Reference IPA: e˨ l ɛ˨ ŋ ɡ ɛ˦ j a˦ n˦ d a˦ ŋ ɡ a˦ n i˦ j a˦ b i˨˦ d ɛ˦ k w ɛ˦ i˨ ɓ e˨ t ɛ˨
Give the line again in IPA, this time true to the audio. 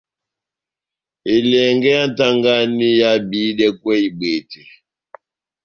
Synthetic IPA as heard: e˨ l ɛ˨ ŋ ɡ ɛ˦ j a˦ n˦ t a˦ ŋ ɡ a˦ n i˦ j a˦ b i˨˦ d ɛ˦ k w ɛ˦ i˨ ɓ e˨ t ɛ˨